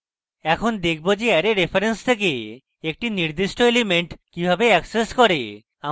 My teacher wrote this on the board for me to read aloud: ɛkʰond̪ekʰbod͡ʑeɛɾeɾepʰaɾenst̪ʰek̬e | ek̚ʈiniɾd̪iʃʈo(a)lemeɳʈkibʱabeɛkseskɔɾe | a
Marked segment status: incorrect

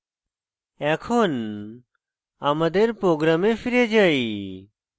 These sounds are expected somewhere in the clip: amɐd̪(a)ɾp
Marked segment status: incorrect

